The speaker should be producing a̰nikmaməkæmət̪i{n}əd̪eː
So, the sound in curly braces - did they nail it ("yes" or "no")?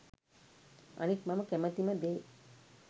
no